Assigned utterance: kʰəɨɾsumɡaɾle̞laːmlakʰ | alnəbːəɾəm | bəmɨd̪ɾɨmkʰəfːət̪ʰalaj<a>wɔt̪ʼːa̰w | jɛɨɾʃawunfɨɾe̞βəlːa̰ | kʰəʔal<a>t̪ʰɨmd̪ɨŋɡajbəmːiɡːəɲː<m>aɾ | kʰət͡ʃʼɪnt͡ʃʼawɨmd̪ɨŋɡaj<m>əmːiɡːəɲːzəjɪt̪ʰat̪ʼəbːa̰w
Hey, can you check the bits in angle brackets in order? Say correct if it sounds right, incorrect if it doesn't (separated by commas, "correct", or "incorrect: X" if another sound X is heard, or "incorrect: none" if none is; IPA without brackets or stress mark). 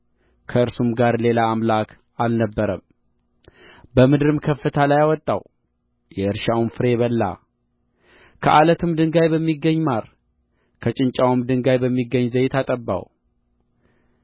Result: correct, incorrect: ə, correct, incorrect: b